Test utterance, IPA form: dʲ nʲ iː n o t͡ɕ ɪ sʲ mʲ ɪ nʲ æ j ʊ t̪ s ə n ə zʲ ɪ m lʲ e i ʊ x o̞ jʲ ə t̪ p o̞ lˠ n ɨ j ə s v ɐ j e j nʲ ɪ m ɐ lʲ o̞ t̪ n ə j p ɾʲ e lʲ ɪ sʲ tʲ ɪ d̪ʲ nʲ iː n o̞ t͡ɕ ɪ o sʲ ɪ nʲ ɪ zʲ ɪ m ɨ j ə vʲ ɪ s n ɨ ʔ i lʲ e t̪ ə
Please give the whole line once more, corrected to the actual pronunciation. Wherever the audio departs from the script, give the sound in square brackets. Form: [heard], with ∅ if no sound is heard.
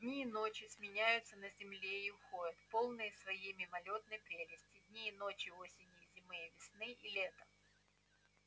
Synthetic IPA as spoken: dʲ nʲ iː n o t͡ɕ ɪ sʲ mʲ ɪ nʲ æ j ʊ t̪ s ə n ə zʲ ɪ m lʲ e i ʊ x o̞ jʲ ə t̪ p o̞ lˠ n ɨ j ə s v ɐ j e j [mʲ] ɪ m ɐ lʲ o̞ t̪ n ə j p ɾʲ e lʲ ɪ sʲ tʲ ɪ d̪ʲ nʲ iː n o̞ t͡ɕ ɪ o sʲ ɪ nʲ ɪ zʲ ɪ m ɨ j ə vʲ ɪ s n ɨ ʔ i lʲ e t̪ ə